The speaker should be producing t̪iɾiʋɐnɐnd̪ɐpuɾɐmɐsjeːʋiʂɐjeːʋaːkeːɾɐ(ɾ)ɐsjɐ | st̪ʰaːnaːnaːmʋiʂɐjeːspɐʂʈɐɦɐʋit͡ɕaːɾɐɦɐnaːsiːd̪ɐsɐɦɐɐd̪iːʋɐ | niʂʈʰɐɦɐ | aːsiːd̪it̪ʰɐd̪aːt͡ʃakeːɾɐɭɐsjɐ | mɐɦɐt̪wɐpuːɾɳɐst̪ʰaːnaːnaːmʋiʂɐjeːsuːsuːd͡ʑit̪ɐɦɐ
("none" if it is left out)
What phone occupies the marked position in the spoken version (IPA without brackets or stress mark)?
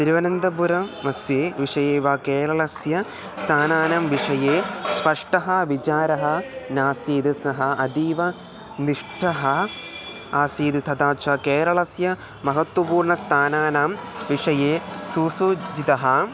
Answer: ɭ